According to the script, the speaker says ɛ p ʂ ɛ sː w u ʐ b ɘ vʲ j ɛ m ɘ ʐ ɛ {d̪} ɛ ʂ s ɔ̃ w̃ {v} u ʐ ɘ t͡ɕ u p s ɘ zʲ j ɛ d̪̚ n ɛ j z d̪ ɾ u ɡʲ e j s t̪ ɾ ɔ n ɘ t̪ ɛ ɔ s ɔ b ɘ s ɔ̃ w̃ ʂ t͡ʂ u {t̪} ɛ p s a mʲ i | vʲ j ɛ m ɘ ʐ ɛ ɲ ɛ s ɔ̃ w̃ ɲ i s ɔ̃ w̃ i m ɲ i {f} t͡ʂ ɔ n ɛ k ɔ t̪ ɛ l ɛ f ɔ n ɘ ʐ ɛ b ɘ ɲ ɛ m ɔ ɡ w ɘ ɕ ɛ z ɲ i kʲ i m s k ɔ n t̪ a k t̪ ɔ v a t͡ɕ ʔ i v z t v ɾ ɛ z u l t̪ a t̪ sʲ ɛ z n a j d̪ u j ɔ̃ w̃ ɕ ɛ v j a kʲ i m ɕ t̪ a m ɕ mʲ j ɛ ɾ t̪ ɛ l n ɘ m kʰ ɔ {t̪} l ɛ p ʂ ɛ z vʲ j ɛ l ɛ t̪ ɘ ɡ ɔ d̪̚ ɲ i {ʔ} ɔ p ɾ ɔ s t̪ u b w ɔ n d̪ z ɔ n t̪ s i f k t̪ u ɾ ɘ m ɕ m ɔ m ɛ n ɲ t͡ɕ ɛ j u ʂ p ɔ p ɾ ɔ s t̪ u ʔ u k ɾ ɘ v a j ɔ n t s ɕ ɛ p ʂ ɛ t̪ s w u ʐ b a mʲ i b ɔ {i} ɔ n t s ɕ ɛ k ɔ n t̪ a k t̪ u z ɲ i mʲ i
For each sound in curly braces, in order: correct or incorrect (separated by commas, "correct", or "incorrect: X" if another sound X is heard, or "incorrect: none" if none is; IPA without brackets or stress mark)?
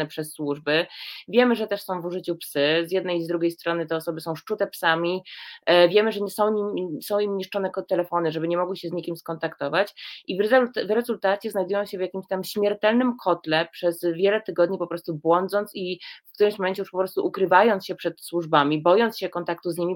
incorrect: t̪, correct, correct, incorrect: ʂ, correct, incorrect: p, incorrect: j